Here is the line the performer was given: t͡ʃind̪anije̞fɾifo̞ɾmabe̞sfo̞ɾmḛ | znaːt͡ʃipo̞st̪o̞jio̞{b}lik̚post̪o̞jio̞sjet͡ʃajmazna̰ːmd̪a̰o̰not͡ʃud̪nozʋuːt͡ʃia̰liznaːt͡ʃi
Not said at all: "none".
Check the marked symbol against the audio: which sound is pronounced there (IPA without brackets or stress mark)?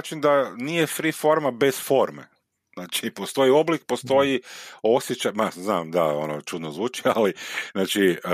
b